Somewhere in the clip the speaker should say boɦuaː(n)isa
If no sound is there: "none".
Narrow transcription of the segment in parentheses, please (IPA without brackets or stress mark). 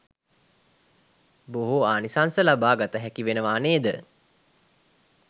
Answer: n